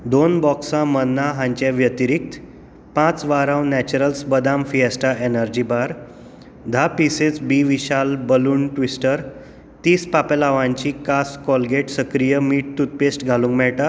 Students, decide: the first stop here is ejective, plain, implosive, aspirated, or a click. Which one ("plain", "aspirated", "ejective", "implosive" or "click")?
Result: plain